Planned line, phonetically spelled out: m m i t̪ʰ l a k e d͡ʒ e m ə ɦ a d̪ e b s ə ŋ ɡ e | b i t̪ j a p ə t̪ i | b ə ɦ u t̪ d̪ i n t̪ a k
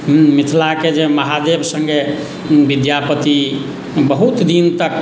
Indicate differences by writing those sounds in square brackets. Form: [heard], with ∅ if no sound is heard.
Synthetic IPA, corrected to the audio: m m i t̪ʰ l a k e d͡ʒ e m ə ɦ a d̪ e b s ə ŋ ɡ e | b i [d̪] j a p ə t̪ i | b ə ɦ u t̪ d̪ i n t̪ [ə] k